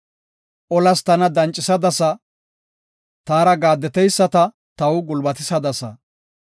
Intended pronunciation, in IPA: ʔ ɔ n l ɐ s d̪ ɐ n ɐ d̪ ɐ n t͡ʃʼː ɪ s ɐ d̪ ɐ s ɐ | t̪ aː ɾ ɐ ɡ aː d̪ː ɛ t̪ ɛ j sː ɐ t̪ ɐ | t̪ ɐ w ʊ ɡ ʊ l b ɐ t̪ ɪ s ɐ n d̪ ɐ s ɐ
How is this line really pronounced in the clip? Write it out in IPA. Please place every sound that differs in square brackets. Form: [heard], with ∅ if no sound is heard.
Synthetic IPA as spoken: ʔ ɔ [∅] l ɐ s [t̪] ɐ n ɐ d̪ ɐ n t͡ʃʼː ɪ s ɐ d̪ ɐ s ɐ | t̪ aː ɾ ɐ ɡ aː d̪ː ɛ t̪ ɛ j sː ɐ t̪ ɐ | t̪ ɐ w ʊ ɡ ʊ l b ɐ t̪ ɪ s ɐ [∅] d̪ ɐ s ɐ